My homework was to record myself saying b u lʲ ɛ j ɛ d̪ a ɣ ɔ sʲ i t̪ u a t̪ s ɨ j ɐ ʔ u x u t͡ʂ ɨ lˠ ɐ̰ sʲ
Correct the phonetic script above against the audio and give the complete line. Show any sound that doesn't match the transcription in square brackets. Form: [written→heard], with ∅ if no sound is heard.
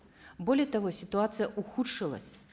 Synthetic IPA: b [u→ɔ] lʲ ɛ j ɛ [d̪→t̪] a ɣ ɔ sʲ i t̪ u a t̪ s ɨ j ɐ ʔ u x u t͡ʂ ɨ lˠ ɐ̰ sʲ

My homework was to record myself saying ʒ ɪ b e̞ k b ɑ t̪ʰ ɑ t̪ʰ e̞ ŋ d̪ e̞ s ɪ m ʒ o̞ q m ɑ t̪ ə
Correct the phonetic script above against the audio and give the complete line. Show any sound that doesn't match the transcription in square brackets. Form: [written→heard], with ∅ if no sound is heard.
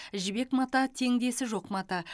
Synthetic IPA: ʒ ɪ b e̞ k [b→m] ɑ [t̪ʰ→t̪] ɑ t̪ʰ e̞ ŋ d̪ e̞ s ɪ [m→∅] ʒ o̞ q m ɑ t̪ [ə→ɑ]

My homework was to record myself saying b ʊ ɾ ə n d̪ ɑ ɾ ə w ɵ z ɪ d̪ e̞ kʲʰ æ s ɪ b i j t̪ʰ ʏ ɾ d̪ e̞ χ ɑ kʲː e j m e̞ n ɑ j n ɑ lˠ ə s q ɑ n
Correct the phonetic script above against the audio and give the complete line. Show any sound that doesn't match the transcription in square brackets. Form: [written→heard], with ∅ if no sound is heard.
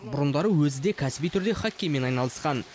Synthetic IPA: b ʊ ɾ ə n d̪ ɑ ɾ ə w ɵ z ɪ d̪ e̞ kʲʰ æ s ɪ b i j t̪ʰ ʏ ɾ d̪ e̞ χ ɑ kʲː e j m e̞ n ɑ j n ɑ lˠ ə s q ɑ n

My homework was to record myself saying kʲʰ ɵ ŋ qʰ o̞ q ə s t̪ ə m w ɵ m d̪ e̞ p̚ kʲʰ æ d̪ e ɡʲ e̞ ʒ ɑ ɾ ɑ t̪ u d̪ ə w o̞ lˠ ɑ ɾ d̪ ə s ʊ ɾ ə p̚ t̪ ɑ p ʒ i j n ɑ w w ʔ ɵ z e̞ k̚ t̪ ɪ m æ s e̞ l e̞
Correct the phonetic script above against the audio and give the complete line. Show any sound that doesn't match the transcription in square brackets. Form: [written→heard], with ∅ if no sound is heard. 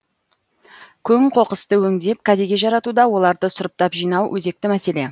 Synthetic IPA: kʲʰ ɵ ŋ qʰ o̞ q ə s t̪ ə [m→∅] w ɵ [m→ŋ] d̪ e̞ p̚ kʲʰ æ d̪ e ɡʲ e̞ ʒ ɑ ɾ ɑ t̪ u d̪ [ə→ɑ] w o̞ lˠ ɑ ɾ d̪ ə s ʊ ɾ ə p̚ t̪ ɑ p ʒ i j n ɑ w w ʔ ɵ z e̞ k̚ t̪ ɪ m æ s e̞ l e̞

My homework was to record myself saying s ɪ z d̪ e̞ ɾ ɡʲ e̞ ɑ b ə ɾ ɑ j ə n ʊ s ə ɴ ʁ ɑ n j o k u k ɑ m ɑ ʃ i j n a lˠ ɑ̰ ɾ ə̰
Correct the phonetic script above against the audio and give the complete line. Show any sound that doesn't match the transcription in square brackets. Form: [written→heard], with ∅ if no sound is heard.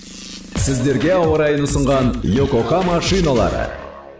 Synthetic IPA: s ɪ z d̪ e̞ ɾ ɡʲ e̞ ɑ [b→w] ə ɾ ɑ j ə n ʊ s ə ɴ ʁ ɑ n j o k [u→o] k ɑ m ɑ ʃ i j n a lˠ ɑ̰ ɾ ə̰

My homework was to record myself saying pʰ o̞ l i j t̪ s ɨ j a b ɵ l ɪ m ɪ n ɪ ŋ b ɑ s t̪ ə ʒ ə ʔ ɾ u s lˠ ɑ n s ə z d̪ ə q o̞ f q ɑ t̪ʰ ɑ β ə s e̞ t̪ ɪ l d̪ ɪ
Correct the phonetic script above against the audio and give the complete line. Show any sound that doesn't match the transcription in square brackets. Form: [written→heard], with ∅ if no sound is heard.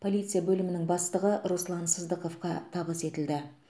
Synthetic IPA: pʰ o̞ l i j t̪ s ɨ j a b ɵ l ɪ m ɪ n ɪ ŋ b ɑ s t̪ ə [ʒ→ʁ] ə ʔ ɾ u s lˠ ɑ n s ə z d̪ ə q o̞ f q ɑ t̪ʰ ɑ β ə s e̞ t̪ ɪ l d̪ ɪ

